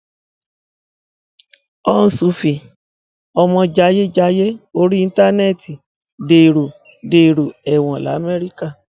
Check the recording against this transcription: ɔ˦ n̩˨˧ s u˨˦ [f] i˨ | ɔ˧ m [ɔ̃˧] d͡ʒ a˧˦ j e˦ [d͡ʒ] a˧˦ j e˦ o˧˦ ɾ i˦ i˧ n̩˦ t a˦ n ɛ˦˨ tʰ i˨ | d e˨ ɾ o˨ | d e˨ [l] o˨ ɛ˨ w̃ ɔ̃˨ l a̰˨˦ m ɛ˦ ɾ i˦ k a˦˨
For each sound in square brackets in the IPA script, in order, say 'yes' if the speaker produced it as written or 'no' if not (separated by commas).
yes, yes, yes, no